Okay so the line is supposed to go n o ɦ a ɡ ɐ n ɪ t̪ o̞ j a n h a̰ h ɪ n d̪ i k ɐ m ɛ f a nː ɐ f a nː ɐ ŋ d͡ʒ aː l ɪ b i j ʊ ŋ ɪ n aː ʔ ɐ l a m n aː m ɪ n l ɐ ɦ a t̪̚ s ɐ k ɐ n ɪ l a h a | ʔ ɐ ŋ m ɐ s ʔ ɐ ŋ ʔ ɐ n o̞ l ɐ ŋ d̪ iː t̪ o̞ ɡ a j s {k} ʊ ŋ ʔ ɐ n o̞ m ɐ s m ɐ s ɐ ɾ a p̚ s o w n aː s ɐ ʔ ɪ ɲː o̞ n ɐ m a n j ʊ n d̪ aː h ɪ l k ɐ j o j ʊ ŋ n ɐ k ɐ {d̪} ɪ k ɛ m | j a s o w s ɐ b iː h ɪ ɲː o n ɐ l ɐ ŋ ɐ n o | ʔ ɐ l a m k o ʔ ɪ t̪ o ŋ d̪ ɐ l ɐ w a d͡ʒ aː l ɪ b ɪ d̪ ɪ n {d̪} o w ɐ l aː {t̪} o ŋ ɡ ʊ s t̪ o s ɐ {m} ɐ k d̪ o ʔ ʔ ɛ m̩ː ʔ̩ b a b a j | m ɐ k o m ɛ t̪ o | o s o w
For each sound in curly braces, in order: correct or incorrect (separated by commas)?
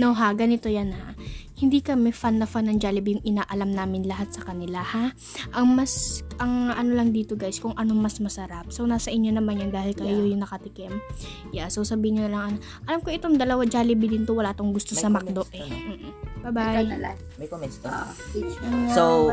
correct, incorrect, incorrect, correct, correct